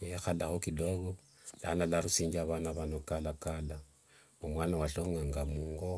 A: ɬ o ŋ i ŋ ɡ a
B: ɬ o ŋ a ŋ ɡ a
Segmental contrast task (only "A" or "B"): B